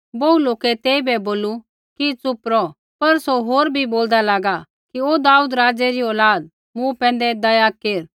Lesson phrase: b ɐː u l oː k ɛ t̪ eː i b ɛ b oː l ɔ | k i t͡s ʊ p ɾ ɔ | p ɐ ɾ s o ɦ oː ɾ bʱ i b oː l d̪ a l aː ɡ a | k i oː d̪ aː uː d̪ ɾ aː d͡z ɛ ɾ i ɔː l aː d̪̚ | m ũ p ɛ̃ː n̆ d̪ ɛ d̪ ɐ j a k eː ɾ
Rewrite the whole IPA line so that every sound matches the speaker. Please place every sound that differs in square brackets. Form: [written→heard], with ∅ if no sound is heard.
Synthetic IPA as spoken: b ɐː u l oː k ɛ t̪ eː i b ɛ b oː l [ɔ→u] | k i t͡s ʊ p ɾ ɔ | p ɐ ɾ s o ɦ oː ɾ bʱ i b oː l d̪ a l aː ɡ a | k i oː d̪ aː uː d̪ ɾ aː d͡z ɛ ɾ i ɔː l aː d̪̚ | m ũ p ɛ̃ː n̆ d̪ ɛ d̪ ɐ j a k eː ɾ